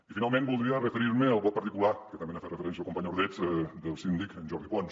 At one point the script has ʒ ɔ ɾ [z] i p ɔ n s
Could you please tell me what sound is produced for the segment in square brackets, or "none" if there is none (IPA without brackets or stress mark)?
ð